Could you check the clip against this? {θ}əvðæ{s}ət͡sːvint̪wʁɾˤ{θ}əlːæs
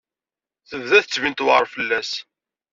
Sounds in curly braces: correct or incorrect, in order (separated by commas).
correct, incorrect, incorrect